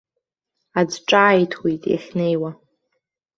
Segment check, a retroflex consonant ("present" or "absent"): present